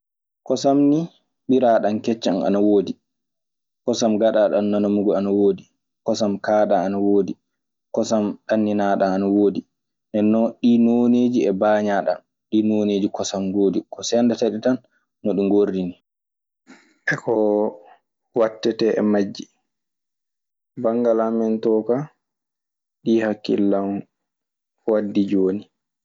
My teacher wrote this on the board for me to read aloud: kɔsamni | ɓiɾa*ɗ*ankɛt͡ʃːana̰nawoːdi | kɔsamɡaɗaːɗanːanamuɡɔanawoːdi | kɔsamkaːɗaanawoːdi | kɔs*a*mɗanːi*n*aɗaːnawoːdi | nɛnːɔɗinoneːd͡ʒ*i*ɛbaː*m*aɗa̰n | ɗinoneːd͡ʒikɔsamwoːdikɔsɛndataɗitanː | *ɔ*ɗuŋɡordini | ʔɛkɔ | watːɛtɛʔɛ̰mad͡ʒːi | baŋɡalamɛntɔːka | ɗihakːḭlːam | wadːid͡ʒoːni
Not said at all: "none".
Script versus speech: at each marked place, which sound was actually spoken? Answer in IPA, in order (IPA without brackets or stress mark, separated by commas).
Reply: ɗ, a, n, i, ɲ, ɔ